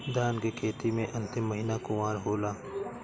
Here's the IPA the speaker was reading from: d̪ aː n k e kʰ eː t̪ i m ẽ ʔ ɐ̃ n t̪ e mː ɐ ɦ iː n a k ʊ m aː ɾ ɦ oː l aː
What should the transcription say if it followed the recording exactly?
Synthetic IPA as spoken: d̪ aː n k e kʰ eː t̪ i m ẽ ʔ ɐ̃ n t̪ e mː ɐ ɦ iː n a k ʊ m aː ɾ ɦ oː l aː